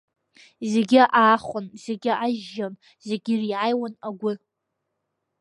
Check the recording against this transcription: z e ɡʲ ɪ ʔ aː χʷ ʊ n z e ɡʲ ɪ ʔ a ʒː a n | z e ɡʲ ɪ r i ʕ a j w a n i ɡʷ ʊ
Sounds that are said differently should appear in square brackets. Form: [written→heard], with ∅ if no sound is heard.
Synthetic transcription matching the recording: z e ɡʲ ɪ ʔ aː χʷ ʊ n z e ɡʲ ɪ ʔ a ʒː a n | z e ɡʲ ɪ r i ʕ a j w a n [i→a] ɡʷ ʊ

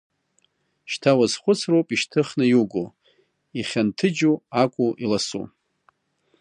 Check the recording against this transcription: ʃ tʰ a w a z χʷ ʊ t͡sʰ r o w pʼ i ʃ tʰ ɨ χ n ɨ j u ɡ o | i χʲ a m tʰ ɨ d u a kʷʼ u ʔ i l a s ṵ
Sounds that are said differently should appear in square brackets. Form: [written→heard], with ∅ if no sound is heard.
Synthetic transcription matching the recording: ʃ tʰ a w a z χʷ ʊ t͡sʰ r o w pʼ i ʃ tʰ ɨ χ n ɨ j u ɡ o | i χʲ a [m→n] tʰ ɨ [d→d͡ʒ] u a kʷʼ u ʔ i l a s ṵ

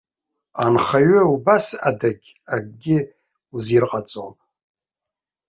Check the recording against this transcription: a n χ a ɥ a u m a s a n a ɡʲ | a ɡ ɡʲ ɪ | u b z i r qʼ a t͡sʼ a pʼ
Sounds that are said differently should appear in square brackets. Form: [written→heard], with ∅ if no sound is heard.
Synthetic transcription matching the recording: a n χ a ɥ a u [m→b] a s a [n→d] a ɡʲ | a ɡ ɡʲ ɪ | u [b→∅] z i r qʼ a t͡sʼ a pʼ

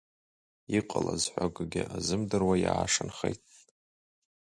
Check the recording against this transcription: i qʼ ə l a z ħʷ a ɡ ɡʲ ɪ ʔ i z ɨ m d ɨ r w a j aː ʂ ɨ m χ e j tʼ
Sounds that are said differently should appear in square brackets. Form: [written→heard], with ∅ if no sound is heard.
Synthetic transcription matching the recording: i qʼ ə l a z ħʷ a ɡ ɡʲ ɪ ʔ [i→a] z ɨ m d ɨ r w a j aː ʂ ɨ [m→n] χ e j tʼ

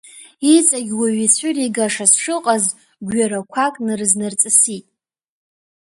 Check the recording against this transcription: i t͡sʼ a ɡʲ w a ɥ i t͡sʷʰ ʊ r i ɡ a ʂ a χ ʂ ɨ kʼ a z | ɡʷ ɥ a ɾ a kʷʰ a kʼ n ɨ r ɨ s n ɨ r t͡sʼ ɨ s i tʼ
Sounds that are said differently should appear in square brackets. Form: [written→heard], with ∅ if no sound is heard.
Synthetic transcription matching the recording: i t͡sʼ a ɡʲ w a ɥ i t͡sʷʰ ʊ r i ɡ a ʂ a [χ→s] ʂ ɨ [kʼ→qʼ] a z | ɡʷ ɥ a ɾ a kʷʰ a kʼ n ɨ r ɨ [s→z] n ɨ r t͡sʼ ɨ s i tʼ

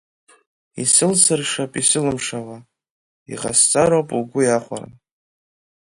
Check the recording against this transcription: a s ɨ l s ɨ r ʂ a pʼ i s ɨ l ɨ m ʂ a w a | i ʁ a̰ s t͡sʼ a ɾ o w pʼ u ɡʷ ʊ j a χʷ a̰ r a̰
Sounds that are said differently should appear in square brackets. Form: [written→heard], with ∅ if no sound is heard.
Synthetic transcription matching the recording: [a→i] s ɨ l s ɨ r ʂ a pʼ i s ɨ l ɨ m ʂ a w a | i ʁ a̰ s t͡sʼ a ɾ o w pʼ u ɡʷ ʊ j a χʷ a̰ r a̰

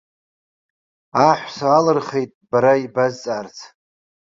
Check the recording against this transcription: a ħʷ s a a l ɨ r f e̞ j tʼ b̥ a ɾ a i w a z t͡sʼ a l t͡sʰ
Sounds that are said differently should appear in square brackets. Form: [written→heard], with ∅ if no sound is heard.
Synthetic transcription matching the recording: a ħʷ s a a l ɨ r [f→χ] e̞ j tʼ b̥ a ɾ a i [w→b] a z t͡sʼ a [l→r] t͡sʰ

